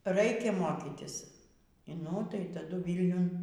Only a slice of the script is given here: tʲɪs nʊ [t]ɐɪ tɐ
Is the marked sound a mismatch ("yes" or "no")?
no